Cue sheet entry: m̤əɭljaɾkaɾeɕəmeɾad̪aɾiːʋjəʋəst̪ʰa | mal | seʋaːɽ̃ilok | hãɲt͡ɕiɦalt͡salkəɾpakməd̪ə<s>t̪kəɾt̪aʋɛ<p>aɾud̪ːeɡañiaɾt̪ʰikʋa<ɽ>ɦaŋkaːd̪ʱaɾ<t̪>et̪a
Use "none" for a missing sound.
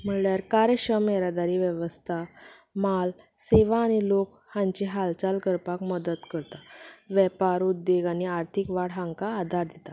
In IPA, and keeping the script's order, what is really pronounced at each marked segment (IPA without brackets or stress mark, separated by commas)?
none, p, ɽ, d̪